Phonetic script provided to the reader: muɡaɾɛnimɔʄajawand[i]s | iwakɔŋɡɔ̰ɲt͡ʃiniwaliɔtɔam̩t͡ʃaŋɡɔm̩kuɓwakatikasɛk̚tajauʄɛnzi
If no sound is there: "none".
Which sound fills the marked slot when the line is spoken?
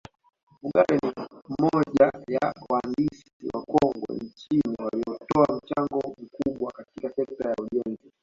i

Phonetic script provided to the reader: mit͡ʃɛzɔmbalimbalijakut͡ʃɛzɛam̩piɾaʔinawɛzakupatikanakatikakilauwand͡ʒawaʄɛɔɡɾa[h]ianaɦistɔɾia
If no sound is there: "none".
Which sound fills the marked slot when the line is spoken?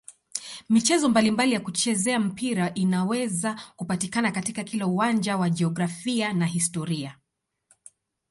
f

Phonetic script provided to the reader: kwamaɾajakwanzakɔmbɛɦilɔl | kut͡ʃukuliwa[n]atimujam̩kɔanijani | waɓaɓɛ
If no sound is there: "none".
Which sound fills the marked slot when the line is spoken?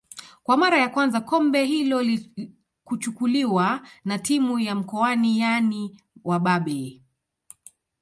n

